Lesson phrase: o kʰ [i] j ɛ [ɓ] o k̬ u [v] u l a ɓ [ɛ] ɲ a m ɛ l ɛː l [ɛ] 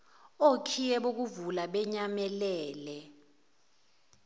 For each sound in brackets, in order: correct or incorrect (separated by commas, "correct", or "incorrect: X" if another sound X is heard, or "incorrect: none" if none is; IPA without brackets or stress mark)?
correct, correct, correct, correct, correct